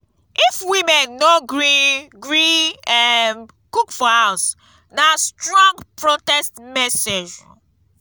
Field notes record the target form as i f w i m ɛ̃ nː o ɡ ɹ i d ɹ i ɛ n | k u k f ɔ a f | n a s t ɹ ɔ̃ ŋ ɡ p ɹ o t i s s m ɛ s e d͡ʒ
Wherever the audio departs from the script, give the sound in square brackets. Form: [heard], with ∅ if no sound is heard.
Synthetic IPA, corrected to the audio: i f w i m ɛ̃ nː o ɡ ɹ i [ɡ] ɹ i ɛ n | k u k f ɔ a [s] | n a s t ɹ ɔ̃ ŋ ɡ p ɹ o t [ɛ] s [t] m ɛ s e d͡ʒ